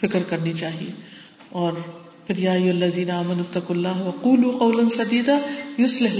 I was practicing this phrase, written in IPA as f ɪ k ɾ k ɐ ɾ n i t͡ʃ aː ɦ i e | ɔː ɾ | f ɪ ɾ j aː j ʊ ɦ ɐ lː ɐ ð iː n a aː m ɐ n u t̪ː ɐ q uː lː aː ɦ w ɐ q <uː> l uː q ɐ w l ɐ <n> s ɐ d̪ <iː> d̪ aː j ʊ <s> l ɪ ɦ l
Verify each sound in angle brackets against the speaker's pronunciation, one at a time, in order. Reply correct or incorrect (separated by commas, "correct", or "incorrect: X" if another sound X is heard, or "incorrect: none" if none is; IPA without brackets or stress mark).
correct, correct, correct, correct